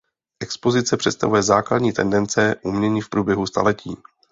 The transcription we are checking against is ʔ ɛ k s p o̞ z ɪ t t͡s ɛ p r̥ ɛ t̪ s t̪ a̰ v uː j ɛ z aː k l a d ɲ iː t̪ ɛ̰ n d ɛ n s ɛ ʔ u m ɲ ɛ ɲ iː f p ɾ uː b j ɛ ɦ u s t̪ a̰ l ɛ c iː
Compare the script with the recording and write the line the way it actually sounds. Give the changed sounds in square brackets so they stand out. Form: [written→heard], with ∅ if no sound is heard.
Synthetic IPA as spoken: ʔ ɛ k s p o̞ z ɪ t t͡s ɛ p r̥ ɛ t̪ s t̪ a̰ v [uː→u] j ɛ z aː k l a d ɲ iː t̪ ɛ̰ n d ɛ n [s→t͡s] ɛ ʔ u m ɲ ɛ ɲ iː f p ɾ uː b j ɛ ɦ u s t̪ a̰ l ɛ c iː